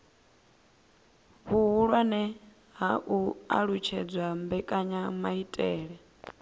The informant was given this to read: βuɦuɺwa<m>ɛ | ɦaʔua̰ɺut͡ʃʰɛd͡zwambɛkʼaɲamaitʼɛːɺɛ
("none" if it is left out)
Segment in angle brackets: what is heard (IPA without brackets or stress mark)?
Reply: n